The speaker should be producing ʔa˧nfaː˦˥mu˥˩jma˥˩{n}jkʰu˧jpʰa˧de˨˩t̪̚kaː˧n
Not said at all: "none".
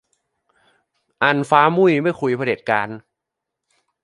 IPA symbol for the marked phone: none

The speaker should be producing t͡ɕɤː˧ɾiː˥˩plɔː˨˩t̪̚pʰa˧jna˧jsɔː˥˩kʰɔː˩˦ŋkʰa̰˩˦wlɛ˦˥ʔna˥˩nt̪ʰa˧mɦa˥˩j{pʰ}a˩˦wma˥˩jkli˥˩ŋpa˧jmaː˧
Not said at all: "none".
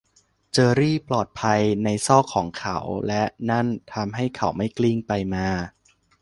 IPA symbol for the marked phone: kʰ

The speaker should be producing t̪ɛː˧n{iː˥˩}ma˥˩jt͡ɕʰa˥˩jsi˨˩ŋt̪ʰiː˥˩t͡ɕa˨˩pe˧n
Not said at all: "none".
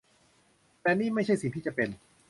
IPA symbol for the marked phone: iː˥˩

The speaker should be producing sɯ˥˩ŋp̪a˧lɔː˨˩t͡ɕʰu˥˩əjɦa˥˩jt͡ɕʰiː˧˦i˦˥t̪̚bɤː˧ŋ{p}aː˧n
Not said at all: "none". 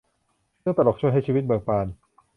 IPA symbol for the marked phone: p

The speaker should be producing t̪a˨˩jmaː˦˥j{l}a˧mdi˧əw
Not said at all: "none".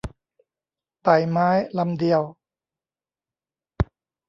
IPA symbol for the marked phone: l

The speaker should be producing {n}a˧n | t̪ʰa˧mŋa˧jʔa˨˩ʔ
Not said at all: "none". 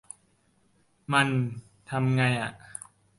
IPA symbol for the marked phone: m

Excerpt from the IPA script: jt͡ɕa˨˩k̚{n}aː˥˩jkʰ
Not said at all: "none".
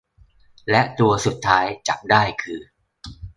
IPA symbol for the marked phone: d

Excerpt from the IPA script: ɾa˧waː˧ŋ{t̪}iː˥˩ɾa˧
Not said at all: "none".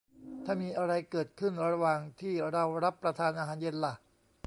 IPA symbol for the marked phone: t̪ʰ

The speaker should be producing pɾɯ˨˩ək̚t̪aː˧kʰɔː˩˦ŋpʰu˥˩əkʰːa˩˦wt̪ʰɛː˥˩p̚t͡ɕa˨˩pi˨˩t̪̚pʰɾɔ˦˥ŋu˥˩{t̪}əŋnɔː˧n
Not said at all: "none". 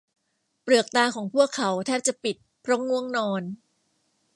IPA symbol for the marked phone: none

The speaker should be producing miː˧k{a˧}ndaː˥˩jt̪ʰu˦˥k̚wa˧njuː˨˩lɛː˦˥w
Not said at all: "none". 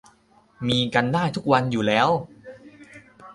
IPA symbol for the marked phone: a˧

